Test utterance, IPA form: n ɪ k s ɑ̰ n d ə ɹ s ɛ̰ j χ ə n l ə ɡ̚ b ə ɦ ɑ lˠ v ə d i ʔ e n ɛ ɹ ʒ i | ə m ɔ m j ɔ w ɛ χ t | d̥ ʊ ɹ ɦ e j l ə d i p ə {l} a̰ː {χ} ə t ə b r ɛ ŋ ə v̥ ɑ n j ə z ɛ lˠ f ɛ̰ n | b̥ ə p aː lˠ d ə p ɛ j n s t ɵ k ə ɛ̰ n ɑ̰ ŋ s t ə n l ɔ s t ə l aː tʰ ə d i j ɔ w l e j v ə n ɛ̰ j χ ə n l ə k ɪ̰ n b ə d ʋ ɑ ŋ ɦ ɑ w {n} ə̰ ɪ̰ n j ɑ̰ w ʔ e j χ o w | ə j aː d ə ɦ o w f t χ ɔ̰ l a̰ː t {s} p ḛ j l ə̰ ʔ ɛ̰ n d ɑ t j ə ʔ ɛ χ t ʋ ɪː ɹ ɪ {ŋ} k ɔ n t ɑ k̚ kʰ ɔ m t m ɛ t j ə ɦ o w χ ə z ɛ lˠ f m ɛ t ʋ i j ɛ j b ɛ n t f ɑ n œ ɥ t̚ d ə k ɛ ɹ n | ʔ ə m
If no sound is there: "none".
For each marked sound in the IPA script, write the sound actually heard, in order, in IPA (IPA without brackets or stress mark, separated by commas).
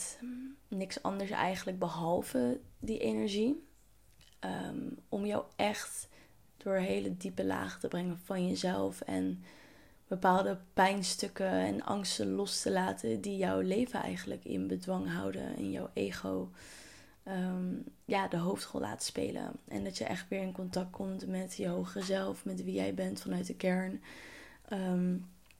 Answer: l, χ, d, s, n